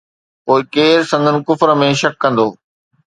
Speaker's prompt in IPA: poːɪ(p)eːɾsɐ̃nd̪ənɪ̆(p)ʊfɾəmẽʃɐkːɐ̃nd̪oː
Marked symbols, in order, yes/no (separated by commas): no, no